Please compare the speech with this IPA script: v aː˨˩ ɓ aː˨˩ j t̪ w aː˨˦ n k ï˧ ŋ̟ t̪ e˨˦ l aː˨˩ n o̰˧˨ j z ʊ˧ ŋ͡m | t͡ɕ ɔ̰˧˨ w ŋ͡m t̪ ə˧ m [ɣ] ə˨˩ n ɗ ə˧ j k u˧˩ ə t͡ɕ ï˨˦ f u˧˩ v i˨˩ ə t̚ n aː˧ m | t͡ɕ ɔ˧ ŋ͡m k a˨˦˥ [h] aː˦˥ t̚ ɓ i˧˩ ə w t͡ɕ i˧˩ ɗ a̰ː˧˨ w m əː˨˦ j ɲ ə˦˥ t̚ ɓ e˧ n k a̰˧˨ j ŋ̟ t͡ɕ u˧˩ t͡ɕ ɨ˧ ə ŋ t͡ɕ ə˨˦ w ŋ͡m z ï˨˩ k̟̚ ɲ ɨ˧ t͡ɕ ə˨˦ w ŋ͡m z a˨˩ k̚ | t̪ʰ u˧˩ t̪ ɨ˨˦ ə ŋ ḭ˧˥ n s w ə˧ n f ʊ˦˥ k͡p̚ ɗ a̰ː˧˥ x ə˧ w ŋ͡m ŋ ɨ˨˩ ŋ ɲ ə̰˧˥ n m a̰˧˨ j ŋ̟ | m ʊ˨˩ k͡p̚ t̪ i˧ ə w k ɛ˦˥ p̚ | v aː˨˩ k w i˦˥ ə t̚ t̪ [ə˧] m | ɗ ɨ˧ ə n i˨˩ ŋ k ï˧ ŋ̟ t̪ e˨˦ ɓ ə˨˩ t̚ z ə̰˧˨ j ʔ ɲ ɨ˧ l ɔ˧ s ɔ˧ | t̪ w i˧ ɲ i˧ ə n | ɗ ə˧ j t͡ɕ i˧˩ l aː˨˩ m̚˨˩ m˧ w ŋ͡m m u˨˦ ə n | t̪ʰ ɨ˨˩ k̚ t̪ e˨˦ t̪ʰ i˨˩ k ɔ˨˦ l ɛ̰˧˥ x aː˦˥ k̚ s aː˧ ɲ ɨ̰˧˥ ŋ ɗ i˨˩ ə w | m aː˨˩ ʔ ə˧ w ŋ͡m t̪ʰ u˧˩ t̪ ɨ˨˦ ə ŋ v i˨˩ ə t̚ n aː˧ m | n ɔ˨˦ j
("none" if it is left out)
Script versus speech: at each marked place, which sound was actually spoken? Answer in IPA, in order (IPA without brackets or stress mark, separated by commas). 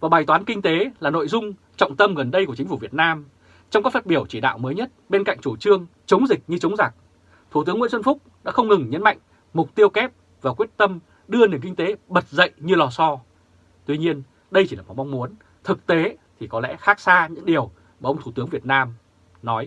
ɣ, f, ə˧